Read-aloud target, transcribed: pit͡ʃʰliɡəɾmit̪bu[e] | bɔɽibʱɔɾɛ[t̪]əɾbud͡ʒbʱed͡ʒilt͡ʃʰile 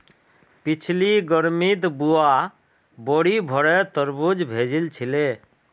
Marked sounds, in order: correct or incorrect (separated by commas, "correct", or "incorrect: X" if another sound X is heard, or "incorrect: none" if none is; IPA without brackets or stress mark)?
incorrect: a, correct